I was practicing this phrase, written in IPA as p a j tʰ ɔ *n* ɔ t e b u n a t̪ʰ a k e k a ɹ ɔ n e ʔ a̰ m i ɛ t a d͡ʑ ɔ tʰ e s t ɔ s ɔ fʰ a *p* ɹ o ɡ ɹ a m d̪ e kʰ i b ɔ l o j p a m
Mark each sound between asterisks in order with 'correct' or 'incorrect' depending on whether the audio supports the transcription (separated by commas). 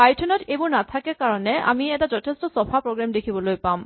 correct, correct